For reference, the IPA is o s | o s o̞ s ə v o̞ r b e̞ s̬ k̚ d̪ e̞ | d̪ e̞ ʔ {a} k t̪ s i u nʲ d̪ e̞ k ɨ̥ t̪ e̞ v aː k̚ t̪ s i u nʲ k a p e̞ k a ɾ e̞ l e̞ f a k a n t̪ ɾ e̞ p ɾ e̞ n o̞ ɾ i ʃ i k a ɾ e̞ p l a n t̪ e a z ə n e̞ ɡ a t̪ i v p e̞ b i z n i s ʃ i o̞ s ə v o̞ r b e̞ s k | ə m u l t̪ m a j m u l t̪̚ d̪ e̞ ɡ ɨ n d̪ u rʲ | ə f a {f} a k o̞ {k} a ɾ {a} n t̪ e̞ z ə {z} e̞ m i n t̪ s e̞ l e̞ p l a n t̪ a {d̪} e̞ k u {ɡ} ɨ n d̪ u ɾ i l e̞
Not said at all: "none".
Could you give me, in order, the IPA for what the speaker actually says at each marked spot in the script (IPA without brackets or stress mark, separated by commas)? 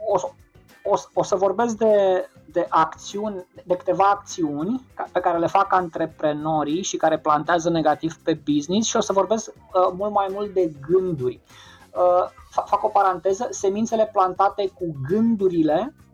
a, f, p, a, s, t̪, ɡ